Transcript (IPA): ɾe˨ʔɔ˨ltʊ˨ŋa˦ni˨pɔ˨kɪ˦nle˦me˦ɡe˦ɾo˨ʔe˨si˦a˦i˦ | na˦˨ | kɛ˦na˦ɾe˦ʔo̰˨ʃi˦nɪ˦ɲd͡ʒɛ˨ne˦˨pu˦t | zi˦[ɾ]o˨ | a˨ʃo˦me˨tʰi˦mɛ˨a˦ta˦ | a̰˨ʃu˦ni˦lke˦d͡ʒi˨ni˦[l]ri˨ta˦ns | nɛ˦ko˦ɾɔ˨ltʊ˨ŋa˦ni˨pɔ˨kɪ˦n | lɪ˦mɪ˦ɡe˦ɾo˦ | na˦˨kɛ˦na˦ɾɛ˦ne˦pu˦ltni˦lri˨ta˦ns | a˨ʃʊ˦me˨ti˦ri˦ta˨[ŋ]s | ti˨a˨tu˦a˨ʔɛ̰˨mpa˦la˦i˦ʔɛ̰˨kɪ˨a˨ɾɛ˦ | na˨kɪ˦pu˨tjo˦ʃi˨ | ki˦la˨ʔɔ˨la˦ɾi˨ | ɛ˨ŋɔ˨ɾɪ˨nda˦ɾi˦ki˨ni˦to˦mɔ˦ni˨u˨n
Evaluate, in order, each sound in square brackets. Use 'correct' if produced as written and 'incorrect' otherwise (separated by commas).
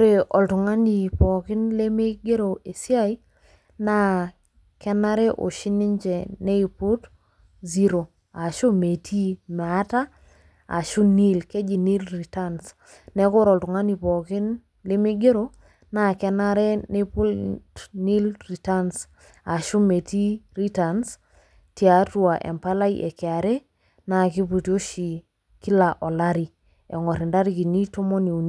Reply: correct, correct, incorrect